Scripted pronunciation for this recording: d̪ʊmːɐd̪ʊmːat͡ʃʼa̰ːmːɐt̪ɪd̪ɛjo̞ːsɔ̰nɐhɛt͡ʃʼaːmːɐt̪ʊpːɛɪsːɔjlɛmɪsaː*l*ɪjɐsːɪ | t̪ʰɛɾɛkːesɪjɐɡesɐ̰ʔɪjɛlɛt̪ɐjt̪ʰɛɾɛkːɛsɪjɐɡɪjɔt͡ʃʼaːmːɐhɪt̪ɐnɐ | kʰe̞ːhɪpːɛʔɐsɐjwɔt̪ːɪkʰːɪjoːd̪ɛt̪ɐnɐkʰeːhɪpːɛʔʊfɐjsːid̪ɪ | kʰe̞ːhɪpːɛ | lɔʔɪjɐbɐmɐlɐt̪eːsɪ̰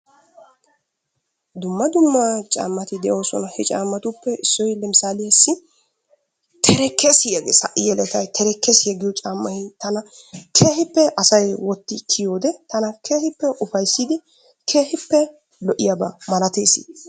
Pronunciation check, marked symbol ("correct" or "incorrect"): correct